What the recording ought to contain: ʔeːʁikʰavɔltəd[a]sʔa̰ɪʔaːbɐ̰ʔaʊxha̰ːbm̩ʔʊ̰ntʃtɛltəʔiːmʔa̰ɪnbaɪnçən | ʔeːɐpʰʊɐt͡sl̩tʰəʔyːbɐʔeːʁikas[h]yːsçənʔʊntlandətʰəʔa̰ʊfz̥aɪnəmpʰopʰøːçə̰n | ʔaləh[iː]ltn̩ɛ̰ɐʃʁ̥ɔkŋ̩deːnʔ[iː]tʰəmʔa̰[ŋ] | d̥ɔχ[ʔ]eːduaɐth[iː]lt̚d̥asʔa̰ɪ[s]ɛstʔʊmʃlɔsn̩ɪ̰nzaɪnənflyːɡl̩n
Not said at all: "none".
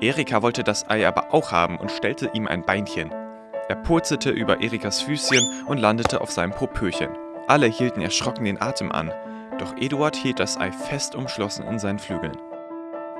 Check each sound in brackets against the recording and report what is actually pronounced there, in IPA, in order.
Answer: a, f, iː, aː, n, ʔ, iː, f

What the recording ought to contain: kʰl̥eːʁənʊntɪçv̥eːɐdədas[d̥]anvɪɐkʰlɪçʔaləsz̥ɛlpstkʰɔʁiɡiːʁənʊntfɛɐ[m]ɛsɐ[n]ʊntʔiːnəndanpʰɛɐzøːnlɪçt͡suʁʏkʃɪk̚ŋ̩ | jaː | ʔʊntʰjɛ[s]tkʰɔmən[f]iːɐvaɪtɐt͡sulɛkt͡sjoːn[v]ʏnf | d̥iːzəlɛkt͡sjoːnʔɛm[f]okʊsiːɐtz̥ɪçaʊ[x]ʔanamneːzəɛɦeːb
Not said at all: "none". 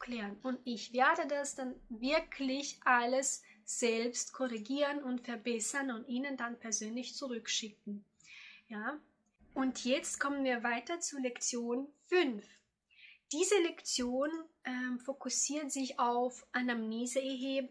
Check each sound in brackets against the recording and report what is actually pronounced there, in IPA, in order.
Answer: d̥, b, n, t͡s, v, f, f, f

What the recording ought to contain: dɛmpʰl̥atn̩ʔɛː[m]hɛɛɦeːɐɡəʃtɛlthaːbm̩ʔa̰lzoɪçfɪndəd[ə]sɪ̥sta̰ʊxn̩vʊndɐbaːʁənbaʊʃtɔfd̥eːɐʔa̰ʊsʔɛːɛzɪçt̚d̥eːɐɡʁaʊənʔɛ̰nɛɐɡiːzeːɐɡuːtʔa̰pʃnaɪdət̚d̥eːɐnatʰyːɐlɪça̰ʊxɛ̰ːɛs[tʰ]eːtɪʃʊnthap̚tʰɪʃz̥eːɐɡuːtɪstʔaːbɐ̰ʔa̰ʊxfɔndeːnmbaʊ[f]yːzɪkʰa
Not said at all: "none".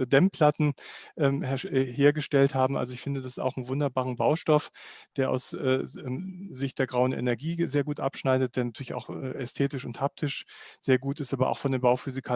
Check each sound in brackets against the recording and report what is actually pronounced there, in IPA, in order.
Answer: m, a, tʰ, f

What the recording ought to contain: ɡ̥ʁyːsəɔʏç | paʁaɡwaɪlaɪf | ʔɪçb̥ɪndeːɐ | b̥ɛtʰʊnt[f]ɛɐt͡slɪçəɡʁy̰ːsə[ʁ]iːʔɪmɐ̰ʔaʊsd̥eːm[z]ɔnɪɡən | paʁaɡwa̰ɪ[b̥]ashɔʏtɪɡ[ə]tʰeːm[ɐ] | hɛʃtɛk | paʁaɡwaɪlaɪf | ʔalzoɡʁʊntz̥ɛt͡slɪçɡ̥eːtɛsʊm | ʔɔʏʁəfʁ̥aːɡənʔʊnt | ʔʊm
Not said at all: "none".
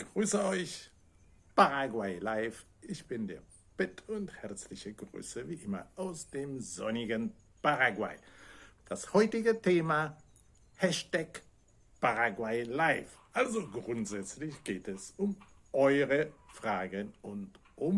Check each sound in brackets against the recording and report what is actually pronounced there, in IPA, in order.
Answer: h, v, z, d̥, ə, a

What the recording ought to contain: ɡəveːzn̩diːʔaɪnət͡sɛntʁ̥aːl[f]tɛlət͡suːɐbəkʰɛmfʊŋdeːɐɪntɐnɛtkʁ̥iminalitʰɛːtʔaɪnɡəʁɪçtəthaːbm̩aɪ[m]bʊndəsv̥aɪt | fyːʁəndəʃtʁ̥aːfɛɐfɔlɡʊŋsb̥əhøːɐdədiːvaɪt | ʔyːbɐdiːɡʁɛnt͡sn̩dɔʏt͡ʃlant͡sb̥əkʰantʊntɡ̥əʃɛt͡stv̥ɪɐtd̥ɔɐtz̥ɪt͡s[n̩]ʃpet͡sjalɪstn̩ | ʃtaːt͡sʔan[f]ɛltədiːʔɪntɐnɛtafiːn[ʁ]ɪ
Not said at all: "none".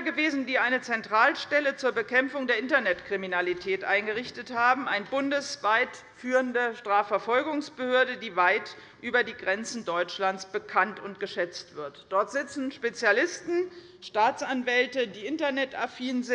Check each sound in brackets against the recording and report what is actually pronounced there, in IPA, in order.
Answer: ʃ, n, n̩, v, z

